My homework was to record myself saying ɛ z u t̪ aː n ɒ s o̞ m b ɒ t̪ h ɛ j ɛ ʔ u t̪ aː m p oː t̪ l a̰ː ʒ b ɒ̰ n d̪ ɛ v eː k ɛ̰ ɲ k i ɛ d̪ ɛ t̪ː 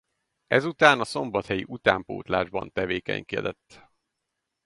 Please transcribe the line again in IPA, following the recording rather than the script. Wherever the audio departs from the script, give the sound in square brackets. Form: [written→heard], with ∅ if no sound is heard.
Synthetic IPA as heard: ɛ z u t̪ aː n ɒ s o̞ m b ɒ t̪ h ɛ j [ɛ→i] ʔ u t̪ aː m p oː t̪ l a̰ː ʒ b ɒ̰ n [d̪→t̪] ɛ v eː k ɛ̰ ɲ k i ɛ d̪ ɛ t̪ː